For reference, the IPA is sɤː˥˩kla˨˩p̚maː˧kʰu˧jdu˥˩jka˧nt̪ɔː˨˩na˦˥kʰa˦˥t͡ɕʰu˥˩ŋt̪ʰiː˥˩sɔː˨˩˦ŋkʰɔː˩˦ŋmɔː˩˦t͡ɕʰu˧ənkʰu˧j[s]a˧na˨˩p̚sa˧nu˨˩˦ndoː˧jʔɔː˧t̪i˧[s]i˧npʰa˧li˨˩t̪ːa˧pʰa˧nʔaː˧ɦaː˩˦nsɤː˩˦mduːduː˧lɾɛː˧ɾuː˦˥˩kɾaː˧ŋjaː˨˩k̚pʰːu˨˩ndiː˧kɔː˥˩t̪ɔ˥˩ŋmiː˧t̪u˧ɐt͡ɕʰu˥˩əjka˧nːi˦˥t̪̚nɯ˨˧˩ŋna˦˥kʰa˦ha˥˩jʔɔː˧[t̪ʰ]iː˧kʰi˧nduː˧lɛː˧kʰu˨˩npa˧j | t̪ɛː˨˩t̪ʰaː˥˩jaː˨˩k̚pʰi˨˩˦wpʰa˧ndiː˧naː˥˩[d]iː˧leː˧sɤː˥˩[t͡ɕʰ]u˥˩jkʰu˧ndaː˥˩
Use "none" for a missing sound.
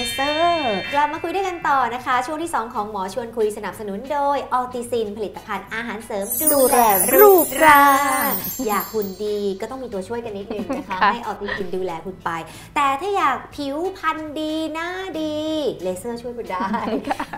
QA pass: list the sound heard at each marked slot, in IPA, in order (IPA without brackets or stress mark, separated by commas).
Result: s, s, t̪, d, t͡ɕʰ